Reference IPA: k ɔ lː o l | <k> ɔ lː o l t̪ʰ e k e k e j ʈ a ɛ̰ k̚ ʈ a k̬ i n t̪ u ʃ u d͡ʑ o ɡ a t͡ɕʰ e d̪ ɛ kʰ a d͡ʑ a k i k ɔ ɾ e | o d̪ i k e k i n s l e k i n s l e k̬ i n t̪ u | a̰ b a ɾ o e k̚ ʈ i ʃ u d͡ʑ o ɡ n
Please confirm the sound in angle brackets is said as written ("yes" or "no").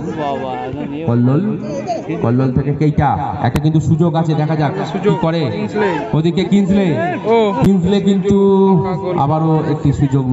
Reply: yes